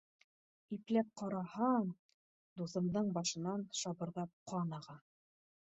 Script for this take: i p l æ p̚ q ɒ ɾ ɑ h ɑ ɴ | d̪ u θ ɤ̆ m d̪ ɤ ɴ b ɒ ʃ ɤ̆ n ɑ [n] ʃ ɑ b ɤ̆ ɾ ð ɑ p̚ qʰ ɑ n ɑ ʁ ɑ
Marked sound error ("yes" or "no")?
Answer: no